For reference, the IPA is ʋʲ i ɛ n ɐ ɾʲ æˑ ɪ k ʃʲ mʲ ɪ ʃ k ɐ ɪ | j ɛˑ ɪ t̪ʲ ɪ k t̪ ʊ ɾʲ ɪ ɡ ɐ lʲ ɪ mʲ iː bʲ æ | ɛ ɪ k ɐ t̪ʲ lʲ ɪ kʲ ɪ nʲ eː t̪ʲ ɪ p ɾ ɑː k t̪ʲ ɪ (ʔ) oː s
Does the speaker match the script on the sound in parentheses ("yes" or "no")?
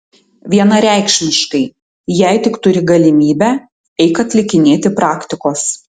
no